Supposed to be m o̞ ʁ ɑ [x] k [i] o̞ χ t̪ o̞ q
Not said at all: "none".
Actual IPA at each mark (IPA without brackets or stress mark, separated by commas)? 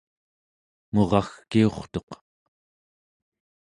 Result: x, i